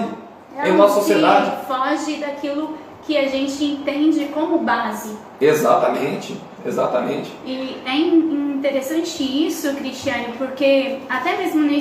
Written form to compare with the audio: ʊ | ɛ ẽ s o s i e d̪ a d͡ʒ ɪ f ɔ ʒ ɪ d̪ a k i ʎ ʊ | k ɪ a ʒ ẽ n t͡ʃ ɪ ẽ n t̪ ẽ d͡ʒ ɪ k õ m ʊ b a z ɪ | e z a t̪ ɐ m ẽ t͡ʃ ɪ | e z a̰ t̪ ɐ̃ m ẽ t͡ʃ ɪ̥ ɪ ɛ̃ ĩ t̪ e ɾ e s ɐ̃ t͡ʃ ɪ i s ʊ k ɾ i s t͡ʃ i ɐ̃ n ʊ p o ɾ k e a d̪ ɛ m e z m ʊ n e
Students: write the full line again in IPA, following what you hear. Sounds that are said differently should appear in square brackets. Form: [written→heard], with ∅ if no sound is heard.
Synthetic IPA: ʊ | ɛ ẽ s o s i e d̪ a d͡ʒ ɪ f ɔ ʒ ɪ d̪ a k i [ʎ→l] ʊ | k ɪ a ʒ ẽ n t͡ʃ ɪ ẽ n t̪ ẽ d͡ʒ ɪ k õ m ʊ b a z ɪ | e z a t̪ ɐ m ẽ t͡ʃ ɪ | e z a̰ t̪ [ɐ̃→ɐ] m ẽ t͡ʃ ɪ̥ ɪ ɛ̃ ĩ t̪ e ɾ e s ɐ̃ t͡ʃ ɪ i s ʊ k ɾ i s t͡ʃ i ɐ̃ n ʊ p o ɾ k e a [d̪→t̪] ɛ m e z m ʊ n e